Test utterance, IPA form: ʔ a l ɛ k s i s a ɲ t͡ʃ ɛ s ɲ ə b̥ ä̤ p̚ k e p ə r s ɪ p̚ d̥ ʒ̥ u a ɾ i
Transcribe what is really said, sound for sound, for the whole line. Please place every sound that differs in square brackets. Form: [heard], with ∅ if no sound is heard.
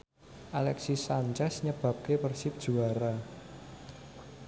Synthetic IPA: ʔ a l ɛ k s i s a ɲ t͡ʃ ɛ s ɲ ə b̥ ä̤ p̚ k e p ə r s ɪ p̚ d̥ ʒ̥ u a ɾ [a]